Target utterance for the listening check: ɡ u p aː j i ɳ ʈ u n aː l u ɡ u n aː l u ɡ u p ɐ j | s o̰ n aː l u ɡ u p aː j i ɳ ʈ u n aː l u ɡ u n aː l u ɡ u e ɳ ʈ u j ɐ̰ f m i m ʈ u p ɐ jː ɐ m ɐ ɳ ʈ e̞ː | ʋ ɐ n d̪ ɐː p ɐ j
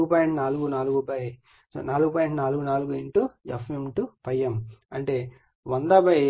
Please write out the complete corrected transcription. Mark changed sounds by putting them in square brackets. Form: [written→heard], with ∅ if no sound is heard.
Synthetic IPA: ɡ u p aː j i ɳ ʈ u n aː l u ɡ u n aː l u ɡ u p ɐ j | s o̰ n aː l u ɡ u p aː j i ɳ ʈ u n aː l u ɡ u n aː l u ɡ u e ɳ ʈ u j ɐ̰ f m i m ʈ u p ɐ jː ɐ m ɐ ɳ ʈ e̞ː | ʋ ɐ n d̪ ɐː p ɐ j